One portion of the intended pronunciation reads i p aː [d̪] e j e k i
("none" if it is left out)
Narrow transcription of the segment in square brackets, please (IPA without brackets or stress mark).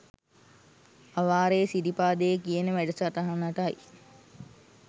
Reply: d̪